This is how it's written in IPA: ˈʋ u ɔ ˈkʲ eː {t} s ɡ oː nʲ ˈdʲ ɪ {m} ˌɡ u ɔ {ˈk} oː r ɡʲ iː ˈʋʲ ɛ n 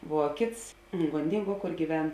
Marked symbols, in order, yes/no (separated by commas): yes, no, yes